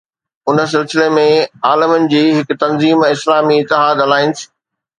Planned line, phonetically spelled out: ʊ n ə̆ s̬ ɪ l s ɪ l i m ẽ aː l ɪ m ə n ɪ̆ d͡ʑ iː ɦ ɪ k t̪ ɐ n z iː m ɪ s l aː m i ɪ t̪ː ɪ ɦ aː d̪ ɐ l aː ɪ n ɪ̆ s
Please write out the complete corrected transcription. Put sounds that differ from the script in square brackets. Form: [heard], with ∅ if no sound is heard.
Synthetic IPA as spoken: ʊ n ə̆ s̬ ɪ l s ɪ l [e] m ẽ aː l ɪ m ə n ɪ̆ d͡ʑ iː ɦ ɪ k t̪ ɐ n z iː m ɪ s l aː m i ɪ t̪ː ɪ ɦ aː d̪ ɐ l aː ɪ n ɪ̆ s